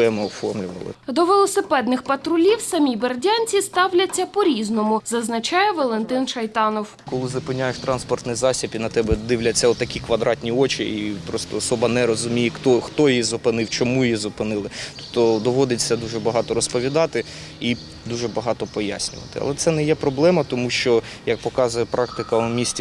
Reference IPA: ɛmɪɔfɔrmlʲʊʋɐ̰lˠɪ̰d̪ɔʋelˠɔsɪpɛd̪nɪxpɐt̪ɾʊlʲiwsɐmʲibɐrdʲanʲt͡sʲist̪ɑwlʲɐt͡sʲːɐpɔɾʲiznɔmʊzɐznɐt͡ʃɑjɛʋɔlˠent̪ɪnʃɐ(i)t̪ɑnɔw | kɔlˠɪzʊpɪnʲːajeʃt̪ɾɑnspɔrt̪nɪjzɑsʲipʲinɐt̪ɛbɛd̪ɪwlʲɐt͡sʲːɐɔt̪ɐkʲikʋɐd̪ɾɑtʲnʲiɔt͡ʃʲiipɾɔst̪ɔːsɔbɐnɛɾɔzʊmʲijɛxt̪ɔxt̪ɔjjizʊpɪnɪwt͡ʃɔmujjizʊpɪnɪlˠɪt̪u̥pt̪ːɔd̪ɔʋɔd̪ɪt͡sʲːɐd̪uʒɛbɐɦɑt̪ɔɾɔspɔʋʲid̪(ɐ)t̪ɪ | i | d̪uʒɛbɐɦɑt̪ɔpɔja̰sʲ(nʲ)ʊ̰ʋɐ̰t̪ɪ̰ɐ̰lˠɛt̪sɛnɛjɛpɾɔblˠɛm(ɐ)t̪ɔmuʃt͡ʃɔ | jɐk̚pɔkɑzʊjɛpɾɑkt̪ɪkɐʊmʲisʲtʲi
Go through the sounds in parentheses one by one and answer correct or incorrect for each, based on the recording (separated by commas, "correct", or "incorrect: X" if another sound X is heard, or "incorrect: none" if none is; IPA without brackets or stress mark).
incorrect: j, incorrect: ɑ, correct, correct